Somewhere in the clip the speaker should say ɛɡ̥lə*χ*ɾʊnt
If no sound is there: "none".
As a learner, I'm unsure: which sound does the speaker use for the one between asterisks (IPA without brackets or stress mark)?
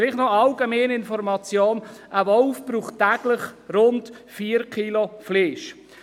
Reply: χ